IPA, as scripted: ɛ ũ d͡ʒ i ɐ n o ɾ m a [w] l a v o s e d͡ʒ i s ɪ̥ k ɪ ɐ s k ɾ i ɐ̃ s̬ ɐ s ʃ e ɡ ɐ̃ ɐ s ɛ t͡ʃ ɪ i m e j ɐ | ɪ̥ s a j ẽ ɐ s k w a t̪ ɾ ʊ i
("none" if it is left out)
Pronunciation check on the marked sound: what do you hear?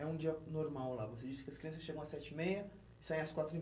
w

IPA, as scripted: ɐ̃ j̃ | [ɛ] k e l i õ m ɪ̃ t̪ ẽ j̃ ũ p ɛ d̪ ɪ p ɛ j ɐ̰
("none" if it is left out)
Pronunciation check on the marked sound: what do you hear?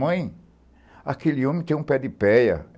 a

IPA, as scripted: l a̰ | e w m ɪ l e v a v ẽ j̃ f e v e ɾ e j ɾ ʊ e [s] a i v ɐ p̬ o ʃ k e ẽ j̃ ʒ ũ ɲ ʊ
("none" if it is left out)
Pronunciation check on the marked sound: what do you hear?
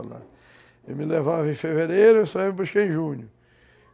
s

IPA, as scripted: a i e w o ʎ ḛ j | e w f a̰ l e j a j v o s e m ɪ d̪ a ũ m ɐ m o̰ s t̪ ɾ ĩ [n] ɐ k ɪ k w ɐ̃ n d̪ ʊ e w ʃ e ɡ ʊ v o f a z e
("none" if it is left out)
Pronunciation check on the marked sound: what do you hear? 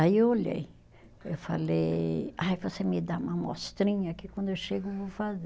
ɲ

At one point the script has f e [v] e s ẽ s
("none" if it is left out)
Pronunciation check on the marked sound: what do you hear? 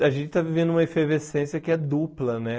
v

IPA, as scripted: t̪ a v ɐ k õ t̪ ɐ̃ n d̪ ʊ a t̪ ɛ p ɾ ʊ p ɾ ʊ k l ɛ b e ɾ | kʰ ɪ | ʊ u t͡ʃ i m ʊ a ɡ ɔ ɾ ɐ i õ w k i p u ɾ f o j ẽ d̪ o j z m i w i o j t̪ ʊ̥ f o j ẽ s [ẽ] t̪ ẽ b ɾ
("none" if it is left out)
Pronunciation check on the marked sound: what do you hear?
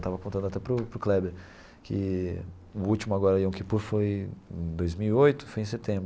e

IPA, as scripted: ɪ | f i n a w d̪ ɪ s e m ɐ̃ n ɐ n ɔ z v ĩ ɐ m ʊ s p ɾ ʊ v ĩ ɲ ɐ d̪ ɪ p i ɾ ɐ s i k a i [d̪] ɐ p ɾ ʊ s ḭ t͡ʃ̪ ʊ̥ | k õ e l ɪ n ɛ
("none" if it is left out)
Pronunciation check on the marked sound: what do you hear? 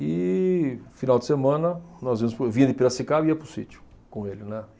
none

